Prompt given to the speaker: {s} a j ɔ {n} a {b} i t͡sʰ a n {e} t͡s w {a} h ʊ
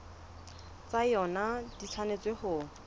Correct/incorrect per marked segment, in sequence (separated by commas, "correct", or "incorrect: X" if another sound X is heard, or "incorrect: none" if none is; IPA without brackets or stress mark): incorrect: t͡s, correct, incorrect: d, correct, incorrect: e